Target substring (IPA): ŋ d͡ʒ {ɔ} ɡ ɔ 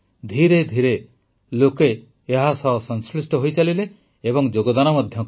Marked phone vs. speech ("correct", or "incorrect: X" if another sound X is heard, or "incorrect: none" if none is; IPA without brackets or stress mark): incorrect: o